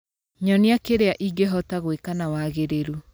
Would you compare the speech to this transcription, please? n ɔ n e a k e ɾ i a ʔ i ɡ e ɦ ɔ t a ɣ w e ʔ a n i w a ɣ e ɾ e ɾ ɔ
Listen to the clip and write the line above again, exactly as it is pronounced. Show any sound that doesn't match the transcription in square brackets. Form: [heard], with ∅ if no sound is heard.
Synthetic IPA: [ɲ] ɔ n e a k e ɾ [e] a ʔ i ɡ e ɦ ɔ t a ɣ w e [k] a n [a] w a ɣ e ɾ e ɾ [u]